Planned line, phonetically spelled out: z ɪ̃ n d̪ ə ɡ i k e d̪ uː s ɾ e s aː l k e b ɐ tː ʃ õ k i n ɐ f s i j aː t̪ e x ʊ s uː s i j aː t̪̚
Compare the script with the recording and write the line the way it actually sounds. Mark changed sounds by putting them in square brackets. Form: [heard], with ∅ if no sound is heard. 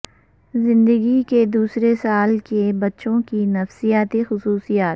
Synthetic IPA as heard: z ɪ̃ n d̪ ə ɡ i k e d̪ uː s ɾ e s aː l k e b ɐ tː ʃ õ k i n ɐ f s i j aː t̪ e x ʊ s uː s i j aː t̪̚